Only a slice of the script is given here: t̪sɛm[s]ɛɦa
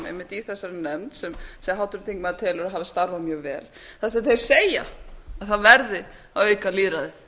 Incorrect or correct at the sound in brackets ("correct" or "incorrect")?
correct